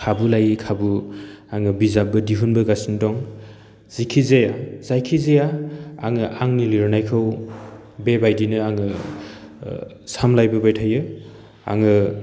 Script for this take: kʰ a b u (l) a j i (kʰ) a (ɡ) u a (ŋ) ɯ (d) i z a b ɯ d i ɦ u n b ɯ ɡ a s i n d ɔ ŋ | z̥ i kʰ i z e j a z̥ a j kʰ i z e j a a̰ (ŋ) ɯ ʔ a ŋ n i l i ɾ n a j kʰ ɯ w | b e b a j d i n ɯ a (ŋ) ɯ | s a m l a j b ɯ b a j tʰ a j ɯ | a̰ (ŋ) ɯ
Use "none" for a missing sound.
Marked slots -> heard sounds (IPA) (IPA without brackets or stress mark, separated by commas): l, kʰ, b, ŋ, b, ŋ, ŋ, ŋ